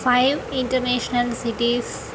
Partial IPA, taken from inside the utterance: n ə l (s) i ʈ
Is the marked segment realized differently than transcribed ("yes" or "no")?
no